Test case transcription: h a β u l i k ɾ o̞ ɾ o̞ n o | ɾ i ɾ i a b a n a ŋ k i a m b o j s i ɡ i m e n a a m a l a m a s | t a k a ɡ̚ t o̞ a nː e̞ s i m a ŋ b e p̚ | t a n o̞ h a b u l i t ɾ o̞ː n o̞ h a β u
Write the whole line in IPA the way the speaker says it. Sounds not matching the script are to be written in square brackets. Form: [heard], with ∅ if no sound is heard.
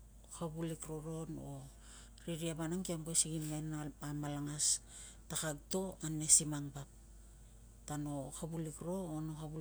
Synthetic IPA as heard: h a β u l i k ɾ o̞ ɾ o̞ n o | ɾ i ɾ i a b a n a ŋ k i a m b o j s i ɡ i m e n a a m a l a [ŋ] a s | t a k a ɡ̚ t o̞ a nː e̞ s i m a ŋ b [a] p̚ | t a n o̞ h a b u l i [k] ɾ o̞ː n o̞ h a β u